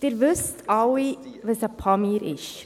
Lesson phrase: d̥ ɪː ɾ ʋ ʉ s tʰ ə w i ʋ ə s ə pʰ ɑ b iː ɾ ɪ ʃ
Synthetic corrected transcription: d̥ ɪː ɾ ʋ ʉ s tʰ ɑ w i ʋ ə s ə pʰ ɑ m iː ɾ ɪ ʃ